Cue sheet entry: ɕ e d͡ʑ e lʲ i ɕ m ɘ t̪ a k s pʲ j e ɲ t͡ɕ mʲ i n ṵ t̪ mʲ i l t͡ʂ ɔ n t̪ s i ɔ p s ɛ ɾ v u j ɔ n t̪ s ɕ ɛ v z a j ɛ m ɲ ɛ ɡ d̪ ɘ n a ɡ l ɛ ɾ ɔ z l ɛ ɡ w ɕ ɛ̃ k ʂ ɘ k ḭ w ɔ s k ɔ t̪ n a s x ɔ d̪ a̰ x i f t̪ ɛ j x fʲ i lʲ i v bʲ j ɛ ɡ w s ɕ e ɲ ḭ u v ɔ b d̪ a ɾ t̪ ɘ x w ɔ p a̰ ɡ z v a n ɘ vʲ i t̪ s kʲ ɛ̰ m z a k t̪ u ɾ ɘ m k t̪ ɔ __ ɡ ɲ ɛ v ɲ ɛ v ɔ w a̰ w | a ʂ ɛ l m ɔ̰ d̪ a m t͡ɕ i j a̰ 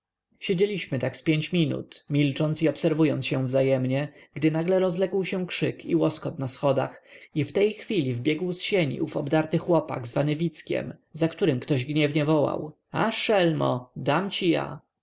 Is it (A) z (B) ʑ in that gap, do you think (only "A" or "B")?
B